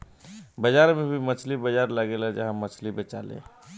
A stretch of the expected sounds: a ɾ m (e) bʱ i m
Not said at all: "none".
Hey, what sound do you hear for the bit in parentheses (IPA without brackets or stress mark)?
e